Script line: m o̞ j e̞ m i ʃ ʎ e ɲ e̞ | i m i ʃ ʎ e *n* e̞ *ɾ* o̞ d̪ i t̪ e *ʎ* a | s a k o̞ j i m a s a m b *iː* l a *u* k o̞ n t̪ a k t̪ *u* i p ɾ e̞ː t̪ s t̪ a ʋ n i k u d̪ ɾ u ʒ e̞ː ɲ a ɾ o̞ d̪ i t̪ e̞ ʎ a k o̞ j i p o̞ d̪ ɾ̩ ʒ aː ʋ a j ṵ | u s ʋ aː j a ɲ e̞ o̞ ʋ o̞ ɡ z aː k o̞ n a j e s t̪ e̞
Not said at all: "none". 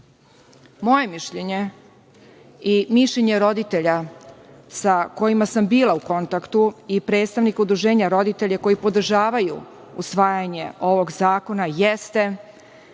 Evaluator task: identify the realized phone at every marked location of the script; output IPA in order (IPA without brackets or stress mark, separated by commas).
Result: ɲ, ɾ, ʎ, iː, u, u